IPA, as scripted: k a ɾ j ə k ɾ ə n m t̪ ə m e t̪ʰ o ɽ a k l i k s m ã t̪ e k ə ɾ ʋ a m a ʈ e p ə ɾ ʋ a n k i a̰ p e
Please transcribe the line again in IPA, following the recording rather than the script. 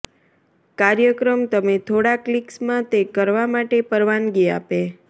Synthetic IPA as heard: k a ɾ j ə k ɾ ə m t̪ ə m e t̪ʰ o ɽ a k l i k s m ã t̪ e k ə ɾ ʋ a m a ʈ e p ə ɾ ʋ a n ɡ i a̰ p e

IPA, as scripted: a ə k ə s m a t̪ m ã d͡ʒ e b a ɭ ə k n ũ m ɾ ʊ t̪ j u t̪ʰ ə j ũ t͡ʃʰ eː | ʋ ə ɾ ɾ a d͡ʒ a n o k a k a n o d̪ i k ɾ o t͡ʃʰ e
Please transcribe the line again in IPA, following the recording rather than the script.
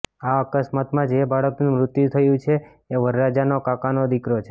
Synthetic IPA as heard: a ə k ə s m a t̪ m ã d͡ʒ e b a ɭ ə k n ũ m ɾ ʊ t̪ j u t̪ʰ ə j ũ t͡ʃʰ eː | ʋ ə ɾ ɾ a d͡ʒ a n o k a k a n o d̪ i k ɾ o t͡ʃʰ e

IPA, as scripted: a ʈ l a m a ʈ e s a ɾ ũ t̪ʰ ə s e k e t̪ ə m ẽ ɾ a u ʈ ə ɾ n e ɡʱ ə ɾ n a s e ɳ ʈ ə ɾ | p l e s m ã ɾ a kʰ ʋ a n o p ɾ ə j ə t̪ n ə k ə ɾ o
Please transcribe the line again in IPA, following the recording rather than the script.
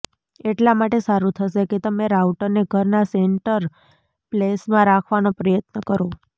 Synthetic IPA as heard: e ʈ l a m a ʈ e s a ɾ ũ t̪ʰ ə ʃ e k e t̪ ə m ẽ ɾ a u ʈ ə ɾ n e ɡʱ ə ɾ n a s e ɳ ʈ ə ɾ | p l e s m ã ɾ a kʰ ʋ a n o p ɾ ə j ə t̪ n ə k ə ɾ o

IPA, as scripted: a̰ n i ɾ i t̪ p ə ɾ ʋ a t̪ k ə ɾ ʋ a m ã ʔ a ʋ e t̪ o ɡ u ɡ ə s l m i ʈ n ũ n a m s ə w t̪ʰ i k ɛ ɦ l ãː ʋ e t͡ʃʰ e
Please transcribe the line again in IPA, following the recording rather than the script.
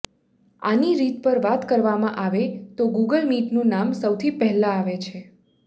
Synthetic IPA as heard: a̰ n i ɾ i t̪ p ə ɾ ʋ a t̪ k ə ɾ ʋ a m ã ʔ a ʋ e t̪ o ɡ u ɡ ə l m i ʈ n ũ n a m s ə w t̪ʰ i p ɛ ɦ l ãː ʋ e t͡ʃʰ e

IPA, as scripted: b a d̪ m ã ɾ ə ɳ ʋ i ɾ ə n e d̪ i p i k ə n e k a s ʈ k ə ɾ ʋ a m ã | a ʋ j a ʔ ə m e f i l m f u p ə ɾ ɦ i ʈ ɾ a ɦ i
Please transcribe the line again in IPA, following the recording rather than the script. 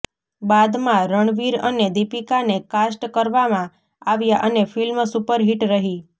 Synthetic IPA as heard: b a d̪ m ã ɾ ə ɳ ʋ i ɾ ə n e d̪ i p i k a n e k a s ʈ k ə ɾ ʋ a m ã | a ʋ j a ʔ ə n e f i l m s u p ə ɾ ɦ i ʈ ɾ ə ɦ i

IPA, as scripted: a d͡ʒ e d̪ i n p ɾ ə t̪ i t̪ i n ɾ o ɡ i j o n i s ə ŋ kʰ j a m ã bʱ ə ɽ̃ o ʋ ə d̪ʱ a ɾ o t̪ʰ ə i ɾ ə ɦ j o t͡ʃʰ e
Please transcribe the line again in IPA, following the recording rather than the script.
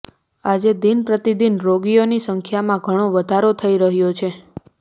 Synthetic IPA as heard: a d͡ʒ e d̪ i n p ɾ ə t̪ i d̪ i n ɾ o ɡ i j o n i s ə ŋ kʰ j a m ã ɡʱ ə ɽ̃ o ʋ ə d̪ʱ a ɾ o t̪ʰ ə i ɾ ə ɦ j o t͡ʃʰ e

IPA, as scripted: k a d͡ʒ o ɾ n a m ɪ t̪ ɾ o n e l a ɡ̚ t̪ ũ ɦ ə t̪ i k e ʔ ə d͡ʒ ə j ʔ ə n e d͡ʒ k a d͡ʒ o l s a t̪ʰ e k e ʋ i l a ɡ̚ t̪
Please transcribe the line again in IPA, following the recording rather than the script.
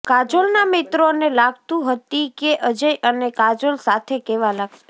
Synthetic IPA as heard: k a d͡ʒ o l n a m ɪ t̪ ɾ o n e l a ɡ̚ t̪ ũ ɦ ə t̪ i k e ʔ ə d͡ʒ ə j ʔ ə n e k a d͡ʒ o l s a t̪ʰ e k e ʋ a l a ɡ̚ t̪

